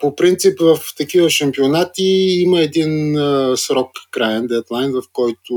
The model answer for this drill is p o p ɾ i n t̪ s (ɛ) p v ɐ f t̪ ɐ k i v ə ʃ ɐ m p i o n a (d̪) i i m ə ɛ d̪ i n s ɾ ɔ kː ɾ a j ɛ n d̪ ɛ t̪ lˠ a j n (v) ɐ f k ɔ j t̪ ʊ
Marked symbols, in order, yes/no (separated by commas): no, no, yes